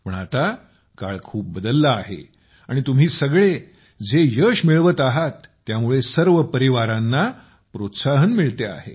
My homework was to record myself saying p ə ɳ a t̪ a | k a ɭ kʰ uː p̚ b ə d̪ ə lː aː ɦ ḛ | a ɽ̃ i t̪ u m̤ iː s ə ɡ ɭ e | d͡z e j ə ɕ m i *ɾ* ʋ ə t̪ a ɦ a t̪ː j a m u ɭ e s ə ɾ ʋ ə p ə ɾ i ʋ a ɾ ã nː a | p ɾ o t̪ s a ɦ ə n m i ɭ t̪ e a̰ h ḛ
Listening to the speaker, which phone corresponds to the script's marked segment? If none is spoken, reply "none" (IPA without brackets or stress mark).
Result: ɭ